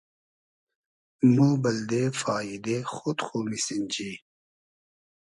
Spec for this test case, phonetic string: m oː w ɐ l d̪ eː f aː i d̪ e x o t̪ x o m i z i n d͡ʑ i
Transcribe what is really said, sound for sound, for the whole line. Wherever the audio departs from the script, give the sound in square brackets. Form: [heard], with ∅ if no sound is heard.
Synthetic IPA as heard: m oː [b] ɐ l d̪ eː f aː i d̪ e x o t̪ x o m i [s] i n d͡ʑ i